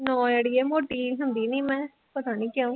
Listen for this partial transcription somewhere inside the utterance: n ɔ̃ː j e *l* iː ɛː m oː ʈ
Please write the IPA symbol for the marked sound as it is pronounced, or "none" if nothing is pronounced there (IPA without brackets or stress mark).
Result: ɽ